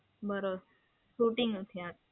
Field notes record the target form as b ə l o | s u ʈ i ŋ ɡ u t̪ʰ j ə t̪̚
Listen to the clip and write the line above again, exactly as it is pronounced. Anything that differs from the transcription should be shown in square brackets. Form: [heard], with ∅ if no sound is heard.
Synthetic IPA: b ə [ɾ] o | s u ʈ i ŋ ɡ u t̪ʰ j [a] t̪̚